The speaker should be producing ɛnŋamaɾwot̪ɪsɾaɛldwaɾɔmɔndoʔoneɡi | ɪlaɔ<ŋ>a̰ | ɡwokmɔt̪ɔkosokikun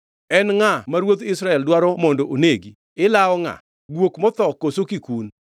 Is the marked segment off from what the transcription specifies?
no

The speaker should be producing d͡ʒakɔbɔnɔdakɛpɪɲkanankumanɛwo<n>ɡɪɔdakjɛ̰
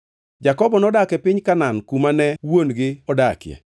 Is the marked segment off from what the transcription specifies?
no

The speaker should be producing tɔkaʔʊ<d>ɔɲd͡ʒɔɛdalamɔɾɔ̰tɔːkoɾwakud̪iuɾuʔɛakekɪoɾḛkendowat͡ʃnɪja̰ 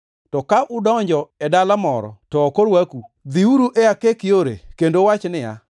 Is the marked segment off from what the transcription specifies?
no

